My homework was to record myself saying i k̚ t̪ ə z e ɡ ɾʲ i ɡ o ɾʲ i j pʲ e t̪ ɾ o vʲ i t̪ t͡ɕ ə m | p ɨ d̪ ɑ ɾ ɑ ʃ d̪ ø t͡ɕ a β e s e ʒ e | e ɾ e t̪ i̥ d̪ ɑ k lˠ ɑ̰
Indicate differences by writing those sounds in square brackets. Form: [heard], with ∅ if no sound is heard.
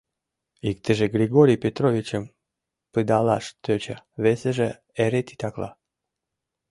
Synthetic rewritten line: i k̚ t̪ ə [ʒ] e ɡ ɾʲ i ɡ o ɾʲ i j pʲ e t̪ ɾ o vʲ i [∅] t͡ɕ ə m | p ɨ d̪ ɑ [l] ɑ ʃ [t̪] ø t͡ɕ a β e s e ʒ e | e ɾ e t̪ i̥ [t̪] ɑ k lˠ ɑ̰